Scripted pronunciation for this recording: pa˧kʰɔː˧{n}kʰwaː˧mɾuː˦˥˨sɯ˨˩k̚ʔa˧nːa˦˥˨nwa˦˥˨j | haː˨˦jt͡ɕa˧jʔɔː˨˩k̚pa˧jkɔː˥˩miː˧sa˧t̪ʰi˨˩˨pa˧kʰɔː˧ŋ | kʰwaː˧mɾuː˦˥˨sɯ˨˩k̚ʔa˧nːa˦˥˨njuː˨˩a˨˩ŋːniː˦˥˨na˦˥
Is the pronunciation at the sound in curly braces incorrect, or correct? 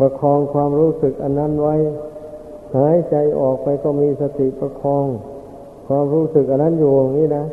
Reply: incorrect